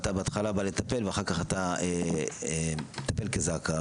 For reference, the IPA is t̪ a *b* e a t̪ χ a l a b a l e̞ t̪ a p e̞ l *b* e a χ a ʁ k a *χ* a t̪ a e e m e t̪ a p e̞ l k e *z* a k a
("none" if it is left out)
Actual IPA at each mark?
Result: b, v, χ, z

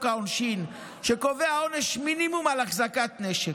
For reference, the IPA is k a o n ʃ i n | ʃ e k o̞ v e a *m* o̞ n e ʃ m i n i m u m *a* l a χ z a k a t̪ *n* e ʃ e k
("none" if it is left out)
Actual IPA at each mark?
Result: none, a, n

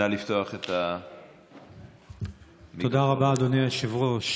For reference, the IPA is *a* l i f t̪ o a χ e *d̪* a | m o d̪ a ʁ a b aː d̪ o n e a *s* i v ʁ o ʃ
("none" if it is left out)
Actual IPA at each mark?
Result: a, t̪, ʃ

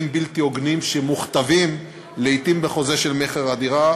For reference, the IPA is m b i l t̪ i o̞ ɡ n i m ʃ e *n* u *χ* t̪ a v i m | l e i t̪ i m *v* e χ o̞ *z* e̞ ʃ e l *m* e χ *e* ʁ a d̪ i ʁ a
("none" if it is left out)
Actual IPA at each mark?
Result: m, χ, b, z, m, e

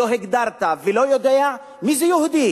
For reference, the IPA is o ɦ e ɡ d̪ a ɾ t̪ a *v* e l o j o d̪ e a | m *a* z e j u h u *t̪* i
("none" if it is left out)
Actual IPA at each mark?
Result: v, i, d̪

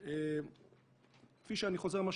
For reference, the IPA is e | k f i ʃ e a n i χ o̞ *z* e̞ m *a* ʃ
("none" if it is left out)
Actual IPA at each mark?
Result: z, a

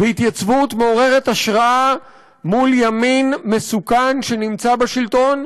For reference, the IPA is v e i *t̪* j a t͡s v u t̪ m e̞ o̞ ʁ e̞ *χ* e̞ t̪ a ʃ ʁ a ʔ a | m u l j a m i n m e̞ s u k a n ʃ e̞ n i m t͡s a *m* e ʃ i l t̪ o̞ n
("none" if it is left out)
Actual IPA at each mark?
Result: t̪, ʁ, b

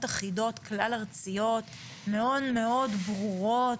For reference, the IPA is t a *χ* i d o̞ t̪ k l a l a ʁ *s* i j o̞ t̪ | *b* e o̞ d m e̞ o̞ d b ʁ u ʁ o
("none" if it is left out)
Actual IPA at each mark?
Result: χ, t͡s, m

